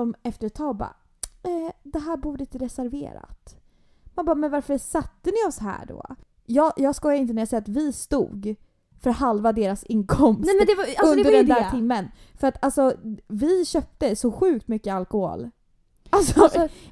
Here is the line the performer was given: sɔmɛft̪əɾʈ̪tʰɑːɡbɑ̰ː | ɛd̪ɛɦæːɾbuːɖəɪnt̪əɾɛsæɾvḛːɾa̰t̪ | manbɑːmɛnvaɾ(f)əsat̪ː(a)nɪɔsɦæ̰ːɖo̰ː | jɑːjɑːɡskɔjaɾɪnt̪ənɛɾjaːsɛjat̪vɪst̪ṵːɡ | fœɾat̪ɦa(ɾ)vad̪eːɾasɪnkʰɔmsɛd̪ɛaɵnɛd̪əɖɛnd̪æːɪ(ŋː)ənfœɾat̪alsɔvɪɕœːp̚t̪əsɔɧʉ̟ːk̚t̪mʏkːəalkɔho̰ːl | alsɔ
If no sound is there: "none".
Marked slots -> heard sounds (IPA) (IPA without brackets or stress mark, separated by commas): f, ə, l, mː